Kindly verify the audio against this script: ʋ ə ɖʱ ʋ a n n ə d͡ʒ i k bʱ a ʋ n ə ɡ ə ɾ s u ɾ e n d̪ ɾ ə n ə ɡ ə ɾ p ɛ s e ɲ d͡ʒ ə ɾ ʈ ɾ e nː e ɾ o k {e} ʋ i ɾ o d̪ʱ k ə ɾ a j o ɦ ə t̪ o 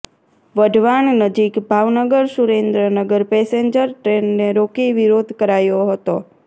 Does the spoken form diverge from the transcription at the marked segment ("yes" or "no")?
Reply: yes